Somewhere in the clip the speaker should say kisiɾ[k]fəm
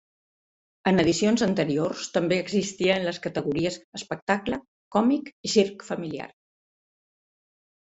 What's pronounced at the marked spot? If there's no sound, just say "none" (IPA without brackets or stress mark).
k